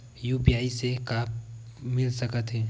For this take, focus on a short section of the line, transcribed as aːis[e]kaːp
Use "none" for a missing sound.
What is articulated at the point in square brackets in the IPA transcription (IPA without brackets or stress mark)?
e